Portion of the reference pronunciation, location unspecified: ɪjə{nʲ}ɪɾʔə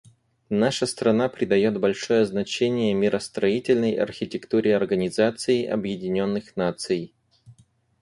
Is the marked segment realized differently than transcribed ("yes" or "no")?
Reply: yes